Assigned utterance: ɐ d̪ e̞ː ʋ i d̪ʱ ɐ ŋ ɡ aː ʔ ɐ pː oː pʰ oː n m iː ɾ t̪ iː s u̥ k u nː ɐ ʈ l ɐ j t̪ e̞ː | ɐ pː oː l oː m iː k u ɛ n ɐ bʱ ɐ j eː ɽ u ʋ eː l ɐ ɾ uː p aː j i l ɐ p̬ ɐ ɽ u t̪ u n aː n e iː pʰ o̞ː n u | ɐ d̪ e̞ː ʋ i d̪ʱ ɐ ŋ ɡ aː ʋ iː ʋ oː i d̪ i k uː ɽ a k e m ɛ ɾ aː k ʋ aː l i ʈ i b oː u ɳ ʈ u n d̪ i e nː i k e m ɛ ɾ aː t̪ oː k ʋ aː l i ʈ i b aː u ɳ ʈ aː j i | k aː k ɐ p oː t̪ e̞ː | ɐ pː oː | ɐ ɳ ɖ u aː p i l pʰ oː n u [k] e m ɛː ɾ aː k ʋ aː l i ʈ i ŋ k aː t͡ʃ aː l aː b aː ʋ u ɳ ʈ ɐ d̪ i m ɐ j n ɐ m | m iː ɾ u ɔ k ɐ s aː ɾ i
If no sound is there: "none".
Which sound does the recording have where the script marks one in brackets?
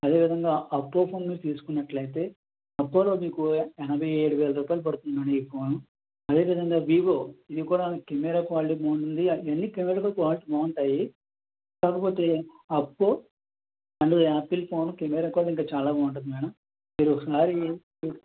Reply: k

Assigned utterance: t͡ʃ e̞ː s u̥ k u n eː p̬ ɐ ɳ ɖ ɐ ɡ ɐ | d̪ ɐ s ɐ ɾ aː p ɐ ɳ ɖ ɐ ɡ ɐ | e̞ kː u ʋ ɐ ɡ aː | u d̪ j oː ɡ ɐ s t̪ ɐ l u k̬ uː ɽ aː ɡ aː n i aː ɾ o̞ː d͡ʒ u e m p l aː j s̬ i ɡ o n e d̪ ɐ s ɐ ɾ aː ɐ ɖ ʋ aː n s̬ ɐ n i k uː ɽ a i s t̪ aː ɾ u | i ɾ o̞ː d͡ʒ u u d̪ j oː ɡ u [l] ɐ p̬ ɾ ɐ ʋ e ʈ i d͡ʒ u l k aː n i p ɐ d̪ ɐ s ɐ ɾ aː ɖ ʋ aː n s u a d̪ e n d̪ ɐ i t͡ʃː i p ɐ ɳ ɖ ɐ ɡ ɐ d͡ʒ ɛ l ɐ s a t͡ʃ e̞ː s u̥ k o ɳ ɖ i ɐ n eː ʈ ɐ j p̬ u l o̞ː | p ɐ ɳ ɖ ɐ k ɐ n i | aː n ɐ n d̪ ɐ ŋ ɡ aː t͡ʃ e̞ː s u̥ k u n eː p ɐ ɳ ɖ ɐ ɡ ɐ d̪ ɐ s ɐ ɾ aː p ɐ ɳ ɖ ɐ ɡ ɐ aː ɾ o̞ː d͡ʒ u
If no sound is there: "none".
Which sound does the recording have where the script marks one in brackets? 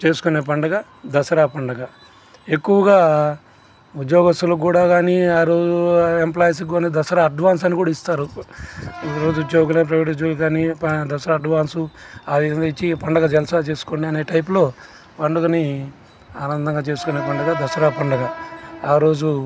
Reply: l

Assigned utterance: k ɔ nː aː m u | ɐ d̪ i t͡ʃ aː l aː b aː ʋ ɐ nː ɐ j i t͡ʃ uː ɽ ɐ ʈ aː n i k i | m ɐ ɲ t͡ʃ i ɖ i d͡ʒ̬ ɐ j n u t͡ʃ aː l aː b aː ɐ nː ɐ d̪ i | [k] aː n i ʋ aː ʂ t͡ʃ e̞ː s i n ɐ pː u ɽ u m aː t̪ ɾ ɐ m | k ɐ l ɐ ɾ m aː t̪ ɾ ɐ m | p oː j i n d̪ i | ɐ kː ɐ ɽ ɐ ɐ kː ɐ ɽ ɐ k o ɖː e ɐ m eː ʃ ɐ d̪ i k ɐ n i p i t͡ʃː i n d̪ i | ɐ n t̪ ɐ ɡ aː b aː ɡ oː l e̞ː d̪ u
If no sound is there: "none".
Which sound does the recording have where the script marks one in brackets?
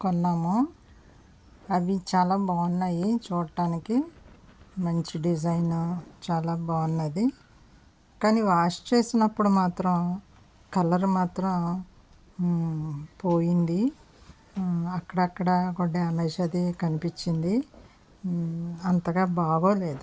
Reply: k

